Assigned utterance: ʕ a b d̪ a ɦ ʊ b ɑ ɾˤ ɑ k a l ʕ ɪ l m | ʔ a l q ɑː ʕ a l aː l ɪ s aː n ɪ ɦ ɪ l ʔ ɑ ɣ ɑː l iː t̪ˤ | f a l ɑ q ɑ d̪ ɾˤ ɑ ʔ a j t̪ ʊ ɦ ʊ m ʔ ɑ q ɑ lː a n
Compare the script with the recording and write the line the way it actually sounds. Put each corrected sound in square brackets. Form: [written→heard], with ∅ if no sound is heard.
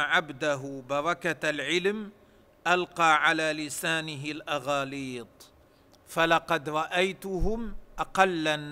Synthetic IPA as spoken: ʕ a b d̪ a ɦ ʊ b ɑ ɾˤ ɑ k a l ʕ ɪ l m | ʔ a l q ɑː ʕ a l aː l ɪ s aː n ɪ ɦ ɪ l ʔ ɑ ɣ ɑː l iː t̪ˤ | f a l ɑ q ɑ d̪ ɾˤ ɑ ʔ a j t̪ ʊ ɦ ʊ m ʔ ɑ q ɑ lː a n